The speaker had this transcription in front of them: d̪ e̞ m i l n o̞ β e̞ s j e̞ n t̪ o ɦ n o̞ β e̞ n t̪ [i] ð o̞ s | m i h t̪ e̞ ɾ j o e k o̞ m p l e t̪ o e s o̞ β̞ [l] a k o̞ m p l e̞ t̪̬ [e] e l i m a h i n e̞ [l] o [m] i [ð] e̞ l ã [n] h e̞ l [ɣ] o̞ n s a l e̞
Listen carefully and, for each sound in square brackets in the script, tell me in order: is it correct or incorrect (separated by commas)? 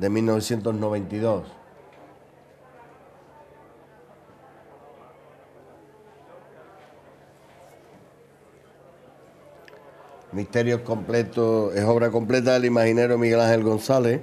correct, incorrect, incorrect, incorrect, correct, incorrect, incorrect, correct